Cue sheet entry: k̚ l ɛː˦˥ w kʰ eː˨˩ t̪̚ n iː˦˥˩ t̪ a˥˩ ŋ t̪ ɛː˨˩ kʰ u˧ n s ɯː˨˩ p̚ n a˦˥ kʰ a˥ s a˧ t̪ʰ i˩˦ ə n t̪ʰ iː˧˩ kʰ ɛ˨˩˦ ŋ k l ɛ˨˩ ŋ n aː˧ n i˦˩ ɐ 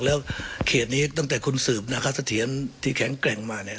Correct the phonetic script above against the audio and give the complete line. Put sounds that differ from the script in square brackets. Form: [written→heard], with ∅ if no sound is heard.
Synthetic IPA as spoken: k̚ l ɛː˦˥ w kʰ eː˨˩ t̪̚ n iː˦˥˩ t̪ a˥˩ ŋ t̪ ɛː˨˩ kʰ u˧ n s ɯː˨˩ p̚ n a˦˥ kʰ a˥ s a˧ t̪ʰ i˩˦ ə n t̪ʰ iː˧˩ kʰ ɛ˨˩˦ ŋ k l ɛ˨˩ ŋ [n→m] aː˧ n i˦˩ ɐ